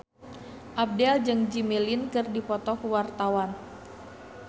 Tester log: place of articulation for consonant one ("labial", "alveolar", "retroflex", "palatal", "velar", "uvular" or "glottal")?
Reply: glottal